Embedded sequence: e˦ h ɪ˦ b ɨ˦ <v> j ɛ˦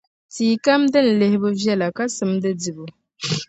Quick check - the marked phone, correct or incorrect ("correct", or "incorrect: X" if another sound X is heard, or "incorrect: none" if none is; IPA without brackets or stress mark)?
correct